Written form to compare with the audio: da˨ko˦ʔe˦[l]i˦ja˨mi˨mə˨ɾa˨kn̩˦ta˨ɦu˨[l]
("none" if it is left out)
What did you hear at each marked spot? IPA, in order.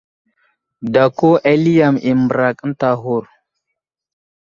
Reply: l, ɾ

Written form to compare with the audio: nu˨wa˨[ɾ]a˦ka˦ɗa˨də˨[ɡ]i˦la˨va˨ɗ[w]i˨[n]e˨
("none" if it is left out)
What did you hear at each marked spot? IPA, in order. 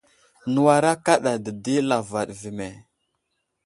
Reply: ɾ, d, v, m

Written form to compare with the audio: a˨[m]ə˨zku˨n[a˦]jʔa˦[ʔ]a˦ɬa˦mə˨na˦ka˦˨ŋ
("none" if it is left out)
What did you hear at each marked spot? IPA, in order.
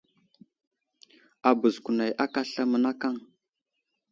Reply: b, a˨, k

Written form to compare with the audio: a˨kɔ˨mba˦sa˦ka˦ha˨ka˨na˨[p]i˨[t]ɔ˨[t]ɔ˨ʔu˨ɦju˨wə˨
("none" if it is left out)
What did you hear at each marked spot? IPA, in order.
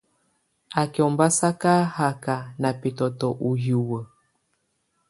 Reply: p, t, t

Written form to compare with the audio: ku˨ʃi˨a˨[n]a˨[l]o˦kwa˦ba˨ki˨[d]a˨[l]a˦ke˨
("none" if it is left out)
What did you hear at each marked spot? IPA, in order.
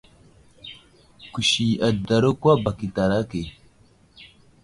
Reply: d, ɾ, t, ɾ

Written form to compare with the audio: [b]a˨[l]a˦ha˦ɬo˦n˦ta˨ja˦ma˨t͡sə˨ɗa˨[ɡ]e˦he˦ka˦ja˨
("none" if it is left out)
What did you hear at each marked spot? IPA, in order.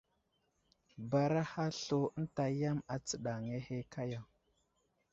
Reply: b, ɾ, ŋ

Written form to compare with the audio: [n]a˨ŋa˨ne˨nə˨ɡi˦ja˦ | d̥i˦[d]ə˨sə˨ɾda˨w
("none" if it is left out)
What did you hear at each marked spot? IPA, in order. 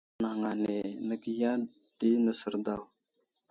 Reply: n, n

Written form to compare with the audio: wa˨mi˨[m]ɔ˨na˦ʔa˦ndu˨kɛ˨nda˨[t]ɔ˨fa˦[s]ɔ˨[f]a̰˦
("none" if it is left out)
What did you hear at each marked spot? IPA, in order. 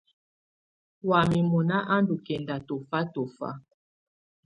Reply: m, t, t, f

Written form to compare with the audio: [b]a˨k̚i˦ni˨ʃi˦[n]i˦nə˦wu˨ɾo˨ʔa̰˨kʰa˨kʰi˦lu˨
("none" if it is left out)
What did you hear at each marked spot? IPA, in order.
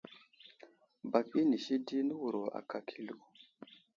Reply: b, d

